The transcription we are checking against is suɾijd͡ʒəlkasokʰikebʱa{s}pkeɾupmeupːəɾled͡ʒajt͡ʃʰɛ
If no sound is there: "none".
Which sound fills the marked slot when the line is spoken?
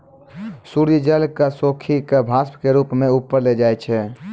s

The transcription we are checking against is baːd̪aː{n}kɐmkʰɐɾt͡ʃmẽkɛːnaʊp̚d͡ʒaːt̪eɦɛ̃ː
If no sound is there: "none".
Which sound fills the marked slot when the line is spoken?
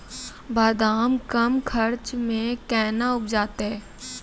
m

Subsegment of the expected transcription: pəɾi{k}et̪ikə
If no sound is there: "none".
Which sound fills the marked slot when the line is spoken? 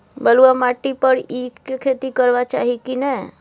kʰ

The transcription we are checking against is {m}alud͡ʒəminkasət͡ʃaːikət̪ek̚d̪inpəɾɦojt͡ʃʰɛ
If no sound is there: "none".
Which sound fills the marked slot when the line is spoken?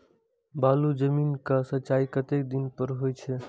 b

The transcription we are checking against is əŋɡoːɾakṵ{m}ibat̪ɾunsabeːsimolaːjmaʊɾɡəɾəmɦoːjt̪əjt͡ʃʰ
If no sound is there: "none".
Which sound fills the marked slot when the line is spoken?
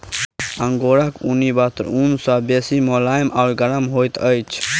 n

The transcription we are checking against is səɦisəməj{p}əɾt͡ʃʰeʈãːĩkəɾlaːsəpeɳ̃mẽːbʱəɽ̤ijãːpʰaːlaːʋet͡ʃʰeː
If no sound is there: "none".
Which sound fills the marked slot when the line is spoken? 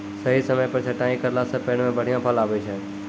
p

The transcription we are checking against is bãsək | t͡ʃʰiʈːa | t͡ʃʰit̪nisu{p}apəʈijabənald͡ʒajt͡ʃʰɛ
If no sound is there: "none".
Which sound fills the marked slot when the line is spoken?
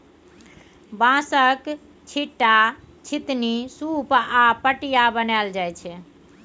p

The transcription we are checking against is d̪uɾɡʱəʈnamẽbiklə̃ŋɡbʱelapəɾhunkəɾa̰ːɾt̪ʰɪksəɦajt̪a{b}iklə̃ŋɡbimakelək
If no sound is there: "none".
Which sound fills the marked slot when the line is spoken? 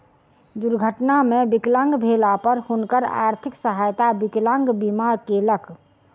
b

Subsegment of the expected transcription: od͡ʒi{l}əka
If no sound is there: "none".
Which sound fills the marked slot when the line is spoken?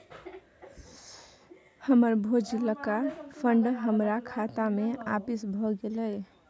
l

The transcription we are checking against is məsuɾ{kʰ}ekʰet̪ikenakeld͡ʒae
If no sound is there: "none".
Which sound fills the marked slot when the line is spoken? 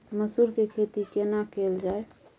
k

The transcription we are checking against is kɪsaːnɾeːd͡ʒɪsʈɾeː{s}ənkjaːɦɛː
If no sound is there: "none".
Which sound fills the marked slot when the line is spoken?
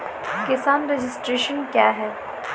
ʃ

